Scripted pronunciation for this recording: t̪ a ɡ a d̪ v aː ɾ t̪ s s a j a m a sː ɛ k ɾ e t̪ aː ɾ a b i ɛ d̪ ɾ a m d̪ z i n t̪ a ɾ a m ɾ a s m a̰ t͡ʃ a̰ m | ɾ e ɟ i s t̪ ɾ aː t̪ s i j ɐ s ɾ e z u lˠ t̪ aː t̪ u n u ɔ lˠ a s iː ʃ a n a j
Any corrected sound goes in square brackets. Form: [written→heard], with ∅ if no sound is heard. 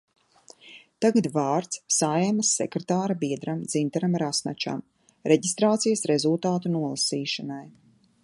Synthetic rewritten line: t̪ a ɡ a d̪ v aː ɾ t̪ s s a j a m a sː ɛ k ɾ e t̪ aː ɾ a b i ɛ d̪ ɾ a m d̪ z i n t̪ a ɾ a m ɾ a s [m→n] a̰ t͡ʃ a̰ m | ɾ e ɟ i s t̪ ɾ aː t̪ s i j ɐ s ɾ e z u lˠ t̪ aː t̪ u n u ɔ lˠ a s iː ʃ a n a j